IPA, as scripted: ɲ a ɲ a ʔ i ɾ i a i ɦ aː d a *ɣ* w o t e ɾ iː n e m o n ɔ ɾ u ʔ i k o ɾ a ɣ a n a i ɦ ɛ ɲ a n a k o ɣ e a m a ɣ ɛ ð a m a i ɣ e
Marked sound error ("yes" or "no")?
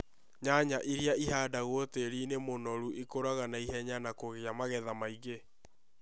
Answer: no